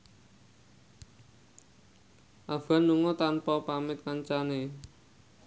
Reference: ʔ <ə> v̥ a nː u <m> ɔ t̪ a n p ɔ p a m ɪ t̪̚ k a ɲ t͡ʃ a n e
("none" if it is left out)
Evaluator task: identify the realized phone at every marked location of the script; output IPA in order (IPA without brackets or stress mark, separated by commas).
a, ŋ